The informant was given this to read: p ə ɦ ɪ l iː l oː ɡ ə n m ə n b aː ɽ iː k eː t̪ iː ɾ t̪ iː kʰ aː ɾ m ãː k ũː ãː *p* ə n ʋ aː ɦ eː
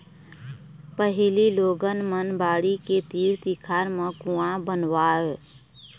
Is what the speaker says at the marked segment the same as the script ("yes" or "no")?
no